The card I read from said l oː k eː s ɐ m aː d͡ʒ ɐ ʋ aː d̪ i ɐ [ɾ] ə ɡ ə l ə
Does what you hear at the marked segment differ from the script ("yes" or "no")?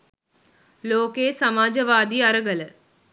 no